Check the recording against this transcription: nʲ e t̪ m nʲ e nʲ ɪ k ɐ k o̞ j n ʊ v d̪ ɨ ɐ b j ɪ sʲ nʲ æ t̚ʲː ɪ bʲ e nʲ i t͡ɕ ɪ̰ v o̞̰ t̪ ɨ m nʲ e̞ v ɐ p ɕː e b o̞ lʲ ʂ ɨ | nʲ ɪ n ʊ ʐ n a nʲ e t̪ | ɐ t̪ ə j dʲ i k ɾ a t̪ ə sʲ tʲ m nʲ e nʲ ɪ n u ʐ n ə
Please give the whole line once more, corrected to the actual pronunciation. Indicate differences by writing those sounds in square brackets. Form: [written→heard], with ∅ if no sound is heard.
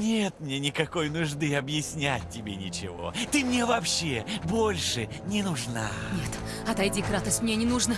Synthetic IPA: nʲ e t̪ m nʲ e nʲ ɪ k ɐ k o̞ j n ʊ [v→ʐ] d̪ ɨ ɐ b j ɪ sʲ nʲ æ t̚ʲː ɪ bʲ e nʲ [i→ɪ] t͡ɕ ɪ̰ v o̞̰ t̪ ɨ m nʲ e̞ v ɐ p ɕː e b o̞ lʲ ʂ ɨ | nʲ ɪ n ʊ ʐ n a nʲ e t̪ | ɐ t̪ [ə→ɐ] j dʲ i k ɾ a t̪ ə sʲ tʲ m nʲ e nʲ ɪ n u ʐ n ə